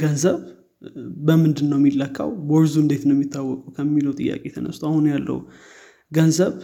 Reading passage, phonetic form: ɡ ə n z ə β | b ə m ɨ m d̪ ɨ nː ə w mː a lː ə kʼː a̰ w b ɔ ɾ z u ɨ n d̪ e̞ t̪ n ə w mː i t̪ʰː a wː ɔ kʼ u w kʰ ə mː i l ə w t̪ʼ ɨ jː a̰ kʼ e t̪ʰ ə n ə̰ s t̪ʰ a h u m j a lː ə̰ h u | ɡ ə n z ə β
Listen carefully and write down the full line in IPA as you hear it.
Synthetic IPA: ɡ ə n z ə β | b ə m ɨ n d̪ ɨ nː ə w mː i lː ə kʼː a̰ w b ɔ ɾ z u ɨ n d̪ e̞ t̪ n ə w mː i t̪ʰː a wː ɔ kʼ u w kʰ ə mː i l ə w t̪ʼ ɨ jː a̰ kʼ e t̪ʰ ə n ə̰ s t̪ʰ a h u n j a lː ə̰ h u | ɡ ə n z ə β